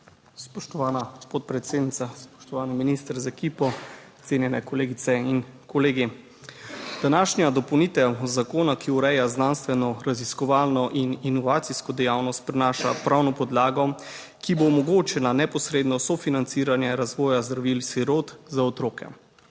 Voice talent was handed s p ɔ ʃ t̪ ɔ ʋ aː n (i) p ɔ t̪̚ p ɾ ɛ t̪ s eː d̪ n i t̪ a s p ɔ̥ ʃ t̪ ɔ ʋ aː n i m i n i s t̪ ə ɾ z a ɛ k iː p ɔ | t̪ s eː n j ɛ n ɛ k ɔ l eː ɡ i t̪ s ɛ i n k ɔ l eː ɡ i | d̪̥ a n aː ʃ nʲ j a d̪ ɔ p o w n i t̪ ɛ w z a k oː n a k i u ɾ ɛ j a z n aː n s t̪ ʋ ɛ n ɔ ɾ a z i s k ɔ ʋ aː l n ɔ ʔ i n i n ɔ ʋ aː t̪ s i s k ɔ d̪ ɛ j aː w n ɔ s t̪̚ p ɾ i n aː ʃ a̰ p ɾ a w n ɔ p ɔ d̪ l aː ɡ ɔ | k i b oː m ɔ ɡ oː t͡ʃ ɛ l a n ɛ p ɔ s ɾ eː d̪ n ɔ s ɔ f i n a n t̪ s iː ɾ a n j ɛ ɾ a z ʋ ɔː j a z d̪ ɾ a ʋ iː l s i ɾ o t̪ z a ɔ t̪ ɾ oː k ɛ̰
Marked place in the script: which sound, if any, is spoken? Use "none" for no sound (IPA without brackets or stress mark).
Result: a